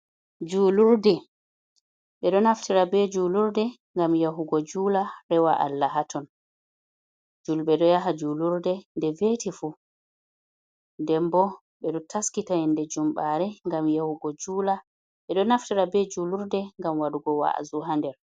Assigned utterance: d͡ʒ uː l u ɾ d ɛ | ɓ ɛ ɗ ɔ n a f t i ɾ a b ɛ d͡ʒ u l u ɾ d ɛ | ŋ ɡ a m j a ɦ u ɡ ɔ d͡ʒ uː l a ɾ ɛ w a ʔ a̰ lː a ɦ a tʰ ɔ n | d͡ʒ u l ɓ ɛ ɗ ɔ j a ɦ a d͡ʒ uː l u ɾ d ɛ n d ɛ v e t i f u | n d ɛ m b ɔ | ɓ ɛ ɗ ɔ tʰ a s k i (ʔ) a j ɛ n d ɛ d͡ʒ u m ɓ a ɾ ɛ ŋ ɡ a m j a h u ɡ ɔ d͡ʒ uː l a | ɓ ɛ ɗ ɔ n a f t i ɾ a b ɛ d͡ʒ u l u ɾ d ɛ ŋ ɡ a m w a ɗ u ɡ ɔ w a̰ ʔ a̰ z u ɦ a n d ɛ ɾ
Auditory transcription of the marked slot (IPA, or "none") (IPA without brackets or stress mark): t